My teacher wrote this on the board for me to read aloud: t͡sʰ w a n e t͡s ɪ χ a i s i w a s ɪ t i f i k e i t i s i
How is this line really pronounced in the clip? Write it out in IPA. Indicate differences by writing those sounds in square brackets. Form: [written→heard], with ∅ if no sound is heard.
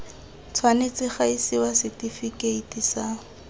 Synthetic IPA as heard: t͡sʰ w a n e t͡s ɪ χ a i s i w a s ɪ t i f i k e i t i s [i→a]